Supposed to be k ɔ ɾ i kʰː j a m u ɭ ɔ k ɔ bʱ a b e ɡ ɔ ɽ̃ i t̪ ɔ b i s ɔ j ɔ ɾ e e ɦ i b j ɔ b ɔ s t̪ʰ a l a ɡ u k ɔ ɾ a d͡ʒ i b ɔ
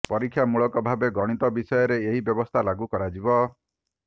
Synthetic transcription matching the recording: p ɔ ɾ i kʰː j a m u ɭ ɔ k ɔ bʱ a b e ɡ ɔ ɽ̃ i t̪ ɔ b i s ɔ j ɔ ɾ e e ɦ i b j ɔ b ɔ s t̪ʰ a l a ɡ u k ɔ ɾ a d͡ʒ i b ɔ